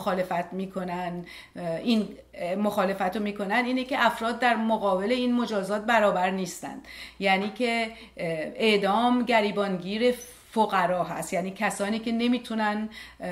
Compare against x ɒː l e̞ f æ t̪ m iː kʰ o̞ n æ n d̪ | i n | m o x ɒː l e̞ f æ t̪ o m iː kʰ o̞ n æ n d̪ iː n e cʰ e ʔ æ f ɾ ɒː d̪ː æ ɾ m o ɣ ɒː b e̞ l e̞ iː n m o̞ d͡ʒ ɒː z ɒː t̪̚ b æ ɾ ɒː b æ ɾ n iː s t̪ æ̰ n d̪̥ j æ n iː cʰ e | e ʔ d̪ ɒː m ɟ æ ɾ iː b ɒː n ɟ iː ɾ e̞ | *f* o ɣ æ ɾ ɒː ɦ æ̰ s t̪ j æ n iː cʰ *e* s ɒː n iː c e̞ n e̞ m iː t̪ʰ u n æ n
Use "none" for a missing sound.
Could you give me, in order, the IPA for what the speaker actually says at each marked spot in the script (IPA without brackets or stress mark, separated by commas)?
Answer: f, æ